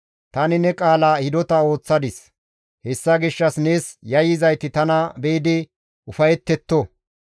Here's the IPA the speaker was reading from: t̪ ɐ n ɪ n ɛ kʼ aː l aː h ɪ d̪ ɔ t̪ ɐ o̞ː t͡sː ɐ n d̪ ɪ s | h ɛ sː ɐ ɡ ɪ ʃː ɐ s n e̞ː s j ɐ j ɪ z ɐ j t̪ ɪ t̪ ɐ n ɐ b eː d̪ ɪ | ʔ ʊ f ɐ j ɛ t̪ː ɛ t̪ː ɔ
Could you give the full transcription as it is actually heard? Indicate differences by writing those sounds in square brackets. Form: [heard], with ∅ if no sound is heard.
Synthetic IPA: t̪ ɐ n ɪ n ɛ kʼ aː l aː h ɪ d̪ ɔ t̪ ɐ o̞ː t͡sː ɐ [∅] d̪ ɪ s | h ɛ sː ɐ ɡ ɪ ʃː ɐ s n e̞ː s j ɐ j ɪ z ɐ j t̪ ɪ t̪ ɐ n ɐ b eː d̪ ɪ | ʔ ʊ f ɐ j ɛ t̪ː ɛ t̪ː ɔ